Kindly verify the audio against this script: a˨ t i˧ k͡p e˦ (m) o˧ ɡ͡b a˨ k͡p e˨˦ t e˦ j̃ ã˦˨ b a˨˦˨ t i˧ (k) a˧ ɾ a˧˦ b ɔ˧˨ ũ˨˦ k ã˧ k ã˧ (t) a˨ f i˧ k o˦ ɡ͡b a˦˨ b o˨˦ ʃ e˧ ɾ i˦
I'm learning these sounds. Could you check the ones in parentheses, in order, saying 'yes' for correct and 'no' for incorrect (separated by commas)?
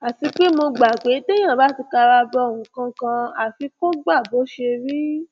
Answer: yes, yes, no